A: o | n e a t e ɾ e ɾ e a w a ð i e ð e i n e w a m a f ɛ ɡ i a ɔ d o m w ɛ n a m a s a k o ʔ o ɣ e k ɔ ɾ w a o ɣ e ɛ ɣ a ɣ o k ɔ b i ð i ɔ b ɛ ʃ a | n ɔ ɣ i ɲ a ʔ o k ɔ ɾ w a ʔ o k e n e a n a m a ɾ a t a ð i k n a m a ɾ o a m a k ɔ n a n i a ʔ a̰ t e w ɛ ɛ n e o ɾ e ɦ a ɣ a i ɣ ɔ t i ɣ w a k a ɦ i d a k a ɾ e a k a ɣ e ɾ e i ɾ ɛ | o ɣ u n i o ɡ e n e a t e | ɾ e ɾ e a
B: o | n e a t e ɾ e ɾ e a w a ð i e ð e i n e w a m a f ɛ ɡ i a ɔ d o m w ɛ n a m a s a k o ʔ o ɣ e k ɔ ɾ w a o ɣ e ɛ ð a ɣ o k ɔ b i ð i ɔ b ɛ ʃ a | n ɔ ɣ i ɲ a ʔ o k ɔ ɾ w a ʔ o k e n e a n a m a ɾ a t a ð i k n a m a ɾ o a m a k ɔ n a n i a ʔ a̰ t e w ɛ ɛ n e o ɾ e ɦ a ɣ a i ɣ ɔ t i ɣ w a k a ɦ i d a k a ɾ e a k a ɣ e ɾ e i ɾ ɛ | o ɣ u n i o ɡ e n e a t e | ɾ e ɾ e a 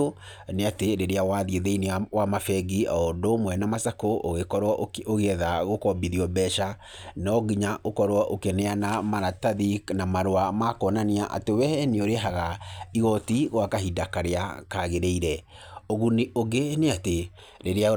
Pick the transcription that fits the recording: B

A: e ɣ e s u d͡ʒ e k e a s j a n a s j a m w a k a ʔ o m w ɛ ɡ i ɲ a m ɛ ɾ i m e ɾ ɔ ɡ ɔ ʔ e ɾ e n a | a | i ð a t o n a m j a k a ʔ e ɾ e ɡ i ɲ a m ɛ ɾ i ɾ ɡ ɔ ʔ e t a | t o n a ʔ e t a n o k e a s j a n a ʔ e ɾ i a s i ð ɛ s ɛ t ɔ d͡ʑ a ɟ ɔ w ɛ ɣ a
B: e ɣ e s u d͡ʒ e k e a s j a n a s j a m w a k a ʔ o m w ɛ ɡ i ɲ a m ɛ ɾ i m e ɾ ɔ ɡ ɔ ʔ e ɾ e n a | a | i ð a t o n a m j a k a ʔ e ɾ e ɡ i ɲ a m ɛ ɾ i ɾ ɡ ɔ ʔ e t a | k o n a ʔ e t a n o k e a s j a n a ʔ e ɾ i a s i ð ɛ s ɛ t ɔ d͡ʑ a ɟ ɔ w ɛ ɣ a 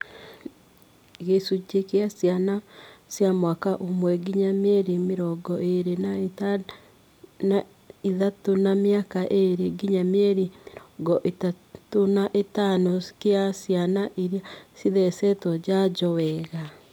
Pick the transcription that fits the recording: A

